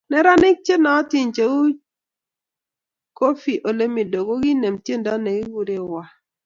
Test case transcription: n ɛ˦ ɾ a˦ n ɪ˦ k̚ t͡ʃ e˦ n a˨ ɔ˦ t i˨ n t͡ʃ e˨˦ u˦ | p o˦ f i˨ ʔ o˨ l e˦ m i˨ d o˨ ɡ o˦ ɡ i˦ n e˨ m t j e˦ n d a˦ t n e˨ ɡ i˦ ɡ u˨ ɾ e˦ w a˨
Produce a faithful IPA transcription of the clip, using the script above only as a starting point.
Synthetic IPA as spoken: n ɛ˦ ɾ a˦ n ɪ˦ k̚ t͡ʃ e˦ n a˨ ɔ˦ t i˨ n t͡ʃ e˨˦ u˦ | k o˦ f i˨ ʔ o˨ l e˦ m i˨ d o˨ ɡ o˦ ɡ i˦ n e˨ m t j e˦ n d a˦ n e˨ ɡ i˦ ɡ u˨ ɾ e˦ w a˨

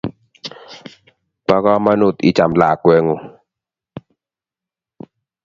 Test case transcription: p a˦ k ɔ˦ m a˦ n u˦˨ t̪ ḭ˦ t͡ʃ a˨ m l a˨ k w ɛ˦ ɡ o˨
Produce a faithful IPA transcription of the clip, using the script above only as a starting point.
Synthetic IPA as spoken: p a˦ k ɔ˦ m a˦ n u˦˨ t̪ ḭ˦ t͡ʃ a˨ m l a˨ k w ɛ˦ ŋ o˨

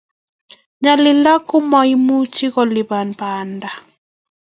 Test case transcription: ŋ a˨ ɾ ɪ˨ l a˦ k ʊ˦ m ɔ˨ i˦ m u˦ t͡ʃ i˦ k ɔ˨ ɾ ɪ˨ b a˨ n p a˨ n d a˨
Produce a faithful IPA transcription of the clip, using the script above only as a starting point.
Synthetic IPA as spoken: ɲ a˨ l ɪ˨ l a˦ k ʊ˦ m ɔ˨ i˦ m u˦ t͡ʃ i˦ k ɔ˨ l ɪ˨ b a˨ n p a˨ n d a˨

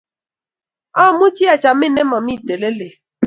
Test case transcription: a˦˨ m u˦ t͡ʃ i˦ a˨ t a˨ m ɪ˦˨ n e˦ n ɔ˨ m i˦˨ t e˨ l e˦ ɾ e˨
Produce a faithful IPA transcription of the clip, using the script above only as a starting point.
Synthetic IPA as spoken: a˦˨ m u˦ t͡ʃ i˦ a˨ t͡ʃ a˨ m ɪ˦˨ n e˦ m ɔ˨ m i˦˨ t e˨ l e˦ l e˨

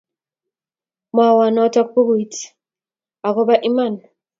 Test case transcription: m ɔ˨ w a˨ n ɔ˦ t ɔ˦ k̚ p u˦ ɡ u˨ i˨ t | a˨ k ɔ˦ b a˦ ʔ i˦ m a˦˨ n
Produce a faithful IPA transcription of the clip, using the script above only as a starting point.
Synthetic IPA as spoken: m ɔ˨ w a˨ n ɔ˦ t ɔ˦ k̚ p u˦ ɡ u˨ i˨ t | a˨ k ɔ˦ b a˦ ʔ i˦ m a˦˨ n

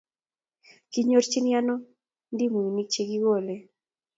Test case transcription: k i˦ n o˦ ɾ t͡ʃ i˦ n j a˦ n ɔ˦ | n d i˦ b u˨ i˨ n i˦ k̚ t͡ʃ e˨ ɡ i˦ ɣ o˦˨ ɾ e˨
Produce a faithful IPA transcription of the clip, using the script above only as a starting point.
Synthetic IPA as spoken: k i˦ ɲ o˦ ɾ t͡ʃ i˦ n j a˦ n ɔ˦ | n d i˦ m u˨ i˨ n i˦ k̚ t͡ʃ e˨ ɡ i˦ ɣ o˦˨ l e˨

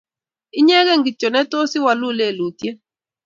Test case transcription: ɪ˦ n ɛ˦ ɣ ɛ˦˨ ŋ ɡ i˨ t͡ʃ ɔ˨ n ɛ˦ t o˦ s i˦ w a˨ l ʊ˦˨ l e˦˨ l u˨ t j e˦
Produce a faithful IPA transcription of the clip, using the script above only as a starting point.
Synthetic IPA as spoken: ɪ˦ ɲ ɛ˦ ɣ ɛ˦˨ ŋ ɡ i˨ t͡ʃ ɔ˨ n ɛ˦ t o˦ s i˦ w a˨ l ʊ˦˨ l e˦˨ l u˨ t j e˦

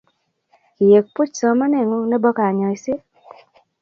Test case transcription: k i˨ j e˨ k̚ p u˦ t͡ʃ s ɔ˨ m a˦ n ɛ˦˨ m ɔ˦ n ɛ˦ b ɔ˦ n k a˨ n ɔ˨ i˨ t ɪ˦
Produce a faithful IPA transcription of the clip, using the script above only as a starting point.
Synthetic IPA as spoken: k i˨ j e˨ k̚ p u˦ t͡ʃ s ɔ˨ m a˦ n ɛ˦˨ ŋ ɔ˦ n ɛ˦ b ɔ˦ k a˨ ɲ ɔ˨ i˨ s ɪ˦

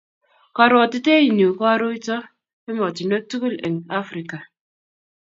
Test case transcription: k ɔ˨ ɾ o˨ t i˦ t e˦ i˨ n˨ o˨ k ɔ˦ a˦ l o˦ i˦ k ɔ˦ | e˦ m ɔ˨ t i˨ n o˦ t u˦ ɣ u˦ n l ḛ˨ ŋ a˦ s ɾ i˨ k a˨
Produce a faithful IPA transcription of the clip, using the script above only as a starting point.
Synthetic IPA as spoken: k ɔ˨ ɾ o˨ t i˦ t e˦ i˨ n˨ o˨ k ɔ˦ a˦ ɾ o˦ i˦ t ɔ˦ | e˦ m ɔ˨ t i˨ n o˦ t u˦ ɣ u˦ l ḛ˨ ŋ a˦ f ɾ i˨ k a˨

